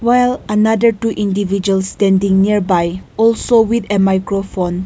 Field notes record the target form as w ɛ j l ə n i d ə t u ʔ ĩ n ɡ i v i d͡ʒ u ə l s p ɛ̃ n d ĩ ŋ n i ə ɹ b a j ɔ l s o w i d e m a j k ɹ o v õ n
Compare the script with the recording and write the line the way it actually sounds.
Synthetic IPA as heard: w a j l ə n a d ə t u ʔ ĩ n d i v i d͡ʒ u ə l s t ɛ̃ n d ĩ ŋ n i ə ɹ b a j ɔ l s o w i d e m a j k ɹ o f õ n